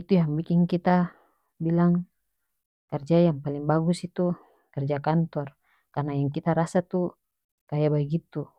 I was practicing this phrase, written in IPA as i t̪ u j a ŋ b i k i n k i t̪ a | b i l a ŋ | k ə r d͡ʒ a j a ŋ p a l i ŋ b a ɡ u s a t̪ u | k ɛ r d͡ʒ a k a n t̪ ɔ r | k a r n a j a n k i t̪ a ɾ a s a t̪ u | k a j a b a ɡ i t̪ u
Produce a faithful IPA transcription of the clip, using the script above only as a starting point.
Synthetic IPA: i t̪ u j a ŋ b i k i ŋ k i t̪ a | b i l a ŋ | k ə r d͡ʒ a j a ŋ p a l i ŋ b a ɡ u s i t̪ u | k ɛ r d͡ʒ a k a n t̪ ɔ r | k a r n a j a ŋ k i t̪ a ɾ a s a t̪ u | k a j a b a ɡ i t̪ u

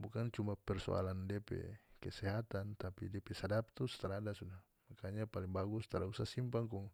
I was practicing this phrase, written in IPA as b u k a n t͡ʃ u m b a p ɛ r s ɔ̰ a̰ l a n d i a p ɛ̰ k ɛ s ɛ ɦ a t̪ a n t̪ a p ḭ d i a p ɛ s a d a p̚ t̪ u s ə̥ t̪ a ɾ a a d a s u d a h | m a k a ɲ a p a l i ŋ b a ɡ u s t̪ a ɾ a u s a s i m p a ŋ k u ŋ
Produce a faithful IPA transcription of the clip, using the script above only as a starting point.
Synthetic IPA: b u k a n t͡ʃ u m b a p ɛ r s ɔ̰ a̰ l a n d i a p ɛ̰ k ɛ s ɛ ɦ a t̪ a n t̪ a p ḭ d i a p ɛ s a d a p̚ t̪ u s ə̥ t̪ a ɾ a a d a s u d a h | m a k a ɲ a p a l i ŋ b a ɡ u s t̪ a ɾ a u s a s i m p a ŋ k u ŋ

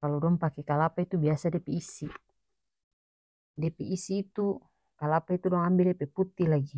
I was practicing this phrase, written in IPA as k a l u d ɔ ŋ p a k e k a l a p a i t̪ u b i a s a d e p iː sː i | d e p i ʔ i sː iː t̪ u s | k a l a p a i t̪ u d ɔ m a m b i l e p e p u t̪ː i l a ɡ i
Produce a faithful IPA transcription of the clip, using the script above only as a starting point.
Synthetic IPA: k a l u d ɔ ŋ p a k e k a l a p a i t̪ u b i a s a d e p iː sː i | d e p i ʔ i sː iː t̪ u | k a l a p a i t̪ u d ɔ ŋ a m b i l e p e p u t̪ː i l a ɡ i

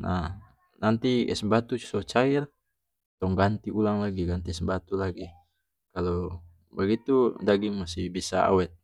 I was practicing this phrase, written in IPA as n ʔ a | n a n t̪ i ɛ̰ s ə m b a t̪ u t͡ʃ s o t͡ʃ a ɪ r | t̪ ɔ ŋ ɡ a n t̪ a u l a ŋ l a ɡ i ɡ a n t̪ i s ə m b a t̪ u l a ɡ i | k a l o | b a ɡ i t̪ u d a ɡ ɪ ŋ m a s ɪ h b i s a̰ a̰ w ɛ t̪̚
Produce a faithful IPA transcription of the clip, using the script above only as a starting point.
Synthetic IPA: n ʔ a | n a n t̪ i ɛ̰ s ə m b a t̪ u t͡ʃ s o t͡ʃ a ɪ r | t̪ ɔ ŋ ɡ a n t̪ i u l a ŋ l a ɡ i ɡ a n t̪ i s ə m b a t̪ u l a ɡ i | k a l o | b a ɡ i t̪ u d a ɡ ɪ ŋ m a s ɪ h b i s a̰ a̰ w ɛ t̪̚

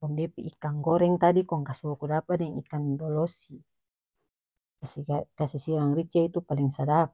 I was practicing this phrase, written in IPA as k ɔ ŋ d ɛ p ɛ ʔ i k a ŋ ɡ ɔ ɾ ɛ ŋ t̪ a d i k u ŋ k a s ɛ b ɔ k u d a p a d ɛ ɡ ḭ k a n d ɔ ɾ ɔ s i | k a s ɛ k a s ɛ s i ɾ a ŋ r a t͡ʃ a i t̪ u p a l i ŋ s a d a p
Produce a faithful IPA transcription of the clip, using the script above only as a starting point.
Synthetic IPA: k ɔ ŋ d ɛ p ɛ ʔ i k a ŋ ɡ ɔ ɾ ɛ ŋ t̪ a d i k ɔ ŋ k a s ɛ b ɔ k u d a p a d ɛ ŋ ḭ k a n d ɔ l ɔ s i | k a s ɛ k a s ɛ s i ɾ a ŋ r i t͡ʃ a i t̪ u p a l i ŋ s a d a p

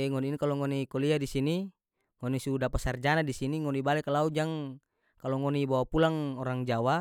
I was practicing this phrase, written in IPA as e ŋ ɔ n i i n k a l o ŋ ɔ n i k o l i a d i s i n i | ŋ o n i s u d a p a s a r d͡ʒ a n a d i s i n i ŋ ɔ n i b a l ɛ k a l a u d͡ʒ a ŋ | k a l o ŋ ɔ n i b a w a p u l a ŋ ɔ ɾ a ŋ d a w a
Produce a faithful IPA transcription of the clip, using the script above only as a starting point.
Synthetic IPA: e ŋ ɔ n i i n k a l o ŋ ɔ n i k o l i a d i s i n i | ŋ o n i s u d a p a s a r d͡ʒ a n a d i s i n i ŋ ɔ n i b a l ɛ k a l a u d͡ʒ a ŋ | k a l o ŋ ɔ n i b a w a p u l a ŋ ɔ ɾ a ŋ d͡ʒ a w a

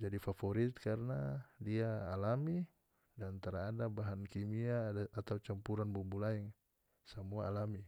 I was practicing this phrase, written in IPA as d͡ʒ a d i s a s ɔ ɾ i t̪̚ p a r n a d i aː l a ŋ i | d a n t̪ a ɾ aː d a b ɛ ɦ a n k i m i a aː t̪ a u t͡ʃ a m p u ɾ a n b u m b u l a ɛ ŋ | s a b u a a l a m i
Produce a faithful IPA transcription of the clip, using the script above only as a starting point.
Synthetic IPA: d͡ʒ a d i f a f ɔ ɾ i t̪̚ k a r n a d i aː l a m i | d a n t̪ a ɾ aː d a b a ɦ a n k i m i a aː t̪ a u t͡ʃ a m p u ɾ a n b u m b u l a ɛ ŋ | s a m u a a l a m i

